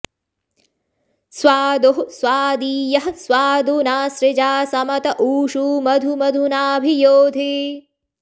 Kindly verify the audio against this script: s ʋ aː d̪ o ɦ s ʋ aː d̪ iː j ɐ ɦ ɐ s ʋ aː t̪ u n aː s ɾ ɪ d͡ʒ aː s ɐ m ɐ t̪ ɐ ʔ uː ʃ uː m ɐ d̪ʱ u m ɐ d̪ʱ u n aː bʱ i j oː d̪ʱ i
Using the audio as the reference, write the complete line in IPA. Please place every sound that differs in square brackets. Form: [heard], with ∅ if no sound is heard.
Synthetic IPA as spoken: s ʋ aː d̪ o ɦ s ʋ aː d̪ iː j ɐ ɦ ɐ s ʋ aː [d̪] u n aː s ɾ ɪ d͡ʒ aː s ɐ m ɐ t̪ ɐ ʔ uː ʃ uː m ɐ d̪ʱ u m ɐ d̪ʱ u n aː bʱ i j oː d̪ʱ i